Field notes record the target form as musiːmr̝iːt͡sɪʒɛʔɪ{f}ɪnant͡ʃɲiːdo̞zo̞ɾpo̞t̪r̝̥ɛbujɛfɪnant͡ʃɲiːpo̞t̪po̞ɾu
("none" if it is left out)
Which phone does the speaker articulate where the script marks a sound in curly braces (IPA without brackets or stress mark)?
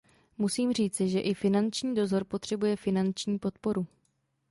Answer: f